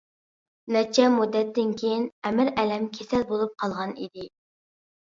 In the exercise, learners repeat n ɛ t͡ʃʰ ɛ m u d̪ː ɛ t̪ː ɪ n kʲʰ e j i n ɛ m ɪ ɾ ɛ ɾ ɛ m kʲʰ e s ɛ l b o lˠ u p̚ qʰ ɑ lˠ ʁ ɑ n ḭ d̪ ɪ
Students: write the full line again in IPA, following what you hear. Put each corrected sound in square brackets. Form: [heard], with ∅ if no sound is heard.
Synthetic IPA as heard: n ɛ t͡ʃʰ ɛ m u d̪ː ɛ t̪ː ɪ n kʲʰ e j i n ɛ m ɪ ɾ ɛ [l] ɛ m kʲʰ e s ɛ l b o lˠ u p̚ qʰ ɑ lˠ ʁ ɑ n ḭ d̪ ɪ